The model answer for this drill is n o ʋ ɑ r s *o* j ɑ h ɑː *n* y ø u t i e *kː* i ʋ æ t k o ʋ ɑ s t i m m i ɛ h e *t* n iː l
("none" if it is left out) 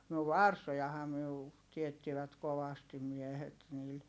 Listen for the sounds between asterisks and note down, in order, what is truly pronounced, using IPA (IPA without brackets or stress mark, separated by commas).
o, m, tː, t